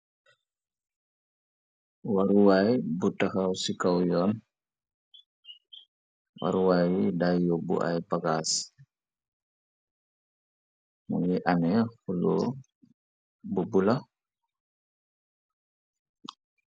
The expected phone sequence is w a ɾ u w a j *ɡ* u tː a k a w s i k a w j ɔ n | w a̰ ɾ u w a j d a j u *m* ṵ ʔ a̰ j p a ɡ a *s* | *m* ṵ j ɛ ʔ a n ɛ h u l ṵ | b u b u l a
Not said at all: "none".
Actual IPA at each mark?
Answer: b, b, s, m

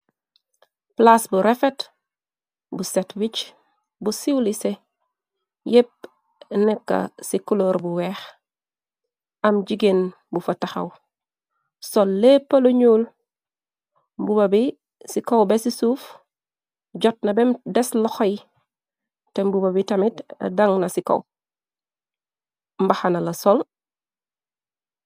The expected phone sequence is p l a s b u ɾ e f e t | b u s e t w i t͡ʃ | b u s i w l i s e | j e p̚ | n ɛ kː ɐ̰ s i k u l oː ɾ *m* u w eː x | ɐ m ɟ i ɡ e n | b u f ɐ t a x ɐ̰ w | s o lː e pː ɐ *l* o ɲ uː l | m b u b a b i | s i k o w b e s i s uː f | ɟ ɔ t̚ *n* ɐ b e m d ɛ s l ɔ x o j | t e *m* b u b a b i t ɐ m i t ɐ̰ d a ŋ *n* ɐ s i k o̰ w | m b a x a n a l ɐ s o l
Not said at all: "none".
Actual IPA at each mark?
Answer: b, l, n, m, n

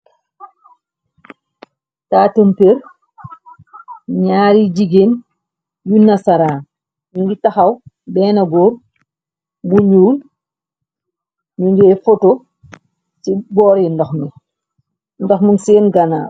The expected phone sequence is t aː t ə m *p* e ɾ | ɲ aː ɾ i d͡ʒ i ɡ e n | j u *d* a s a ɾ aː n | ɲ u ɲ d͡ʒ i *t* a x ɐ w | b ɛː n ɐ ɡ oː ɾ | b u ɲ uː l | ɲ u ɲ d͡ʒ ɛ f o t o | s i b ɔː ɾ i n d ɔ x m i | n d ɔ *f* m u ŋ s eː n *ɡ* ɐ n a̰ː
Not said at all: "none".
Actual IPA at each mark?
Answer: p, n, t, x, ɡ

